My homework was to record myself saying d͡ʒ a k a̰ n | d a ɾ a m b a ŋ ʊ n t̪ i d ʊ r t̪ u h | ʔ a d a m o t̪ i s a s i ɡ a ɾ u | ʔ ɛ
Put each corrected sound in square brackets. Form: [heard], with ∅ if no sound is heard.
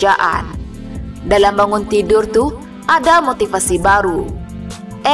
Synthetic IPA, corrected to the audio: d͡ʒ a [ʔ] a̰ n | d a [l] a m b a ŋ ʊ n t̪ i d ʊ r t̪ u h | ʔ a d a m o t̪ i [f] a s i [b] a ɾ u | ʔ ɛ